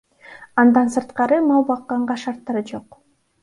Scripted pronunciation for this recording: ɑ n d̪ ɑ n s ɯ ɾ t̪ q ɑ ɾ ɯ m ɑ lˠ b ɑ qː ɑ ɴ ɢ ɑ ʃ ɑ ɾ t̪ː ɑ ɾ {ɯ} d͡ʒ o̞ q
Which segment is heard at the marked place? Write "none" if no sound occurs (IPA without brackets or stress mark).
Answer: ɯ